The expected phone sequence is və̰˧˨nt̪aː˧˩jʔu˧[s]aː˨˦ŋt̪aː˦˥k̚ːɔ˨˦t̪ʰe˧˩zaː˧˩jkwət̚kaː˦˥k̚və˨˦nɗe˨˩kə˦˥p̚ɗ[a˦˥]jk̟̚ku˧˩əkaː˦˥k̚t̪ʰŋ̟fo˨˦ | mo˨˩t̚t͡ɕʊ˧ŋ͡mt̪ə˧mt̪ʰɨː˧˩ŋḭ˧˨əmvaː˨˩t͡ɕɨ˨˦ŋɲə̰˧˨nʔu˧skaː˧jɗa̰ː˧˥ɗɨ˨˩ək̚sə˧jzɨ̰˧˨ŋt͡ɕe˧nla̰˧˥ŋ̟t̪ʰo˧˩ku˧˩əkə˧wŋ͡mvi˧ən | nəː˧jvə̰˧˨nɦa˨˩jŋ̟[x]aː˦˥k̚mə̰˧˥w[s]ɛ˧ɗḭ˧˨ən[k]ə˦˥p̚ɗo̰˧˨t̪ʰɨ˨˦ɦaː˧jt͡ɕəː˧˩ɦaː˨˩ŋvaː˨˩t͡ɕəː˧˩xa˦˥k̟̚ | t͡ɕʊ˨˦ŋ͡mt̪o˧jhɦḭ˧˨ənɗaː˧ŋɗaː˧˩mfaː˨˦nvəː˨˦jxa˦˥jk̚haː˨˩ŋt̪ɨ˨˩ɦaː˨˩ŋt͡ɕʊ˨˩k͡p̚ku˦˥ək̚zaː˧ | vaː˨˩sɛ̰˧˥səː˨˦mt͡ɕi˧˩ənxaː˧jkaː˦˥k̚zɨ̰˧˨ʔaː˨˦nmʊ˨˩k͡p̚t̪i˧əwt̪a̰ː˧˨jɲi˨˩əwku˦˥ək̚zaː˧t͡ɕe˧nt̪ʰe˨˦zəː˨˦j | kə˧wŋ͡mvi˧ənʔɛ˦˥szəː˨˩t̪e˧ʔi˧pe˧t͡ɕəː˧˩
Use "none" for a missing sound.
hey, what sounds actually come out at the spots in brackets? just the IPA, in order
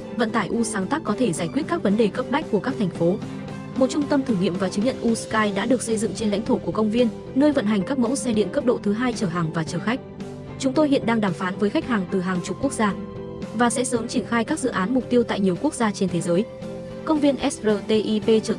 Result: s, a˦˥, k, s, k

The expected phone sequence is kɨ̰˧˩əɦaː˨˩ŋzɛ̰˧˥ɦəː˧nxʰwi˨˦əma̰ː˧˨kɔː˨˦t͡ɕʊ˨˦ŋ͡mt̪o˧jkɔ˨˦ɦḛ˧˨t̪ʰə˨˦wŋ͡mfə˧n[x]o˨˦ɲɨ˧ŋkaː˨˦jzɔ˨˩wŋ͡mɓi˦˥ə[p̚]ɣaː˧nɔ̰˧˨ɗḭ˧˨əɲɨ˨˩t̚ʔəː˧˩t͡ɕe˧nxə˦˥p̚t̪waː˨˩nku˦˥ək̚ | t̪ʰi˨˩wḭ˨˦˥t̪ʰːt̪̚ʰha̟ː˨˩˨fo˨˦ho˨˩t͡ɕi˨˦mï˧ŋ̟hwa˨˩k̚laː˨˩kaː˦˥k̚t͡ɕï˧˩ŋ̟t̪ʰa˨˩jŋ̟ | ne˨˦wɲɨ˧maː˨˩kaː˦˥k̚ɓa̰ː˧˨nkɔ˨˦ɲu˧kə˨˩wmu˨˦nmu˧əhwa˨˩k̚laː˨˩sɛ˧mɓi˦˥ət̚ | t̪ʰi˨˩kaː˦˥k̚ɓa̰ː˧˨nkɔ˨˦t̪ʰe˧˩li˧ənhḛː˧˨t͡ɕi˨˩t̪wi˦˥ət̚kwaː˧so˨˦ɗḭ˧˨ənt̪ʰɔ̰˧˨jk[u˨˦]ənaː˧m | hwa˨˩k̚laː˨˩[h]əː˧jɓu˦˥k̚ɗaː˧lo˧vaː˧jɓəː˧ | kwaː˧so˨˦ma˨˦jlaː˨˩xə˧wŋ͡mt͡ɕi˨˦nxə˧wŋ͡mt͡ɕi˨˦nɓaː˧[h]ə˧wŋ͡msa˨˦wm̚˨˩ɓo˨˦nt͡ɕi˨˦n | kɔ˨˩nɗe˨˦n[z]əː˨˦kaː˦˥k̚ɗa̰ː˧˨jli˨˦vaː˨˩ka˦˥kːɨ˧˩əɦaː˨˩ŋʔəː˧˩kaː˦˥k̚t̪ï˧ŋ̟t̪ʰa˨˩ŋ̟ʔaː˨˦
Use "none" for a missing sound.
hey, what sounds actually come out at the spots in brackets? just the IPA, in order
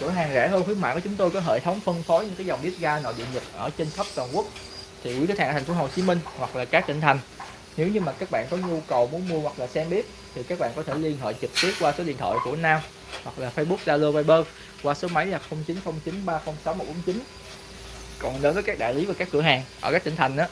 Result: f, t̚, u˧˩, f, x, v

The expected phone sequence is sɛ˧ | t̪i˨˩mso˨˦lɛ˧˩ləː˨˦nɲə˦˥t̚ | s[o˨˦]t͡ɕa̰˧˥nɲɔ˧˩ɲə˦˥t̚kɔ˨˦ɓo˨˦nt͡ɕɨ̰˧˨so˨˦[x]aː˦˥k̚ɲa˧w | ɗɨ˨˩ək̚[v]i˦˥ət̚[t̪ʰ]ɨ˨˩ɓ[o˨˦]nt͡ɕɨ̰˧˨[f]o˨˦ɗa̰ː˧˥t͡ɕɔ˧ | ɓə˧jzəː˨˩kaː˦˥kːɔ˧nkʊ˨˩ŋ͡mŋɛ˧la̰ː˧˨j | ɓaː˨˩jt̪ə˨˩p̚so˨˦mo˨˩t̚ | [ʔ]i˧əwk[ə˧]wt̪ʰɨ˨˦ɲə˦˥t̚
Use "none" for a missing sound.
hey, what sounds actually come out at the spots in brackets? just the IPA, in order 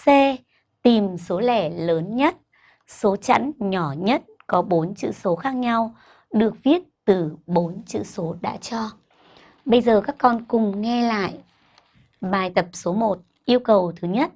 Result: o˨˦, x, v, t̪, o˨˦, s, ʔ, ə˨˩

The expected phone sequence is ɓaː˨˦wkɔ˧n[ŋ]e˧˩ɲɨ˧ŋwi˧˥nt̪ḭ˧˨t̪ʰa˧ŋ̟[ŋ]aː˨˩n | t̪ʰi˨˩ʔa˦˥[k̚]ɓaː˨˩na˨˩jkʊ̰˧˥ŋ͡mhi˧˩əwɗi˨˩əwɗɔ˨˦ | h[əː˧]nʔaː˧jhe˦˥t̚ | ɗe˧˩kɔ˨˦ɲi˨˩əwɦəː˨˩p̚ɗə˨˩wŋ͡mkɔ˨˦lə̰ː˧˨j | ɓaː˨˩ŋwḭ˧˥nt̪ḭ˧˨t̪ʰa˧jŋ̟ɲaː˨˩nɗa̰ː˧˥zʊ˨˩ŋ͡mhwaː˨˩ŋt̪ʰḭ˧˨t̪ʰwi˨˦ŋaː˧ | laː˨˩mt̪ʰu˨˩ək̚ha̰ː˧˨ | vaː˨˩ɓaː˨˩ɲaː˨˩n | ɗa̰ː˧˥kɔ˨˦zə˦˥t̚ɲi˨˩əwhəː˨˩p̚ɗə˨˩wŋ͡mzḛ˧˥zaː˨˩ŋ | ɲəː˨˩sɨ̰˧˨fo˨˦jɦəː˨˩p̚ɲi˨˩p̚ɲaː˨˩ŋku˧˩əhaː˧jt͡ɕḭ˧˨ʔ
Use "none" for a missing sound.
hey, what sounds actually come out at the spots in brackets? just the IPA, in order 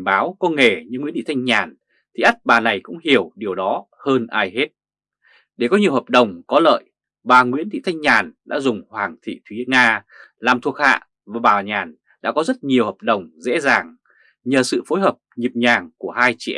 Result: ŋ, ɲ, t̚, əː˧

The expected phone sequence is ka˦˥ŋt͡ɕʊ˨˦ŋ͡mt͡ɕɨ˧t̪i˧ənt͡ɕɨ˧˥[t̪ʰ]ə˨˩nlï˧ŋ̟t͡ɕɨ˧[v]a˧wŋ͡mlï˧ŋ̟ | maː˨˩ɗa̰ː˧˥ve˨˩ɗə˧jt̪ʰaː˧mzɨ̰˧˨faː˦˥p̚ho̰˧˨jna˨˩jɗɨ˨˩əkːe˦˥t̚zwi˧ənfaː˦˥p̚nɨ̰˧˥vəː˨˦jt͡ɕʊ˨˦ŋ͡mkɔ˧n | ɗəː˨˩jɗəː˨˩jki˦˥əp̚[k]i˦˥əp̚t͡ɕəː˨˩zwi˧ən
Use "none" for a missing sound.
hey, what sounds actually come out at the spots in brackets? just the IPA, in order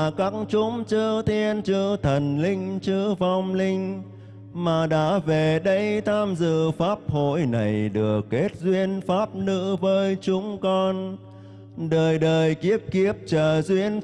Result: t̪ʰ, v, k

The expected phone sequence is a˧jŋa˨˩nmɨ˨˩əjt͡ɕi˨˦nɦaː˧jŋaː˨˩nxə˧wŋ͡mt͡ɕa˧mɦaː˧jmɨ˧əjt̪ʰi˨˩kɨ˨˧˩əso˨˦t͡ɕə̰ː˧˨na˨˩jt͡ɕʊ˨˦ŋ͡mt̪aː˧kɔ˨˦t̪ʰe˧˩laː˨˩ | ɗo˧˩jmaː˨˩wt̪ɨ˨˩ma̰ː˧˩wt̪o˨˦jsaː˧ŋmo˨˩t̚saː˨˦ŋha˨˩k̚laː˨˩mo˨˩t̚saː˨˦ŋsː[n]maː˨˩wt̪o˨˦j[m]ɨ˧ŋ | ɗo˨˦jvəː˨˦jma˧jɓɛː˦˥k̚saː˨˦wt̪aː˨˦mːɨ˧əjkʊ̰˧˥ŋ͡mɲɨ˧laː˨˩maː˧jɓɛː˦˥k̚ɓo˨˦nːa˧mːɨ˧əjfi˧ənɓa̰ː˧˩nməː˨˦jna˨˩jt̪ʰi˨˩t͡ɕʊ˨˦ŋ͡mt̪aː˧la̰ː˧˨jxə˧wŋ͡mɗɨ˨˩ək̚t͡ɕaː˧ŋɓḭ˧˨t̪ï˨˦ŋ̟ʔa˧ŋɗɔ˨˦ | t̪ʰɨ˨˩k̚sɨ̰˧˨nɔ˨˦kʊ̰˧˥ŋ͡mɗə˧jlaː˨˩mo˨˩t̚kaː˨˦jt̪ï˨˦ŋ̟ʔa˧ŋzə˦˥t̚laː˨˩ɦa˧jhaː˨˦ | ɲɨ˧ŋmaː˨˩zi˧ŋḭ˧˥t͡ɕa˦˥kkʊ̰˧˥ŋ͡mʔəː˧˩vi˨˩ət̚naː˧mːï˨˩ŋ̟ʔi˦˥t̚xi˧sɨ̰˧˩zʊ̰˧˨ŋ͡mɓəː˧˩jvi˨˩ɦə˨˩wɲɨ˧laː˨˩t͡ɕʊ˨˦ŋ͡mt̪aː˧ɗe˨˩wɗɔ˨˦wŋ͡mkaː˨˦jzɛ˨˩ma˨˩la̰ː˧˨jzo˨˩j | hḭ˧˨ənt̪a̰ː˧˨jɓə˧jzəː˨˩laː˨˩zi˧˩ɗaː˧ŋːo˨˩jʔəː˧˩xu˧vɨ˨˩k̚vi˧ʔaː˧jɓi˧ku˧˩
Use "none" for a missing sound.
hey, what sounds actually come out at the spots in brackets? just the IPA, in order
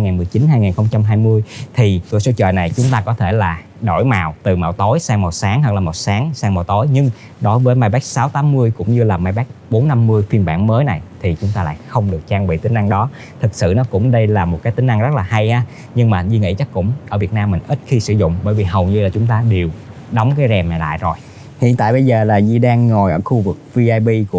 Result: ŋ, ɲ

